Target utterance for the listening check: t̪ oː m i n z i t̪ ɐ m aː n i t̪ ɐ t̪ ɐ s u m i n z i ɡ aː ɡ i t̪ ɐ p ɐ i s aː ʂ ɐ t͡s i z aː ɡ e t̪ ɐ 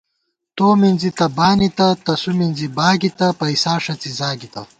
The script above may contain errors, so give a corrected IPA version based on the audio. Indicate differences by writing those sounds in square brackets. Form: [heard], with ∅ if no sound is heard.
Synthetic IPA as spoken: t̪ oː m i n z i t̪ ɐ [b] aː n i t̪ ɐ t̪ ɐ s u m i n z i [b] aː ɡ i t̪ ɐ p ɐ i s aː ʂ ɐ t͡s i z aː ɡ [i] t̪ ɐ